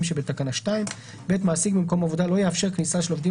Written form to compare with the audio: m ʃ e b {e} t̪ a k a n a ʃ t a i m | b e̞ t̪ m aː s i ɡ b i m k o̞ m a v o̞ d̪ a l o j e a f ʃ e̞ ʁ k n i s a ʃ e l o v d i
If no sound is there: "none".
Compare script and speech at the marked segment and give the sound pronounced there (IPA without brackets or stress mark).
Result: e